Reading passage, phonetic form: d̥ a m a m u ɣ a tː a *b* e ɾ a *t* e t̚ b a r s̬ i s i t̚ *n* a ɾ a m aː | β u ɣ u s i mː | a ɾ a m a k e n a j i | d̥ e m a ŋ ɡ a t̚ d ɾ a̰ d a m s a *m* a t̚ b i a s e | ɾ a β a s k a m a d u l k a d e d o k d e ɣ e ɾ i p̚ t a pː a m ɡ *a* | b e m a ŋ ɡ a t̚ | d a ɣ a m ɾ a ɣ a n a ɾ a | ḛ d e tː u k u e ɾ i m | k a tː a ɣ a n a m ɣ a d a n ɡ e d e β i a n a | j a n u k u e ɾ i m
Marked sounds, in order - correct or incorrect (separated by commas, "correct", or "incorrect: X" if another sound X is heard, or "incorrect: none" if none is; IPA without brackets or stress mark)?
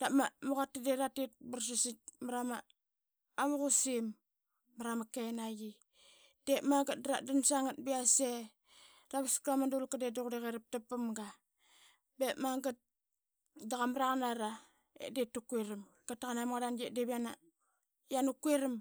incorrect: d, correct, incorrect: m, incorrect: ŋ, correct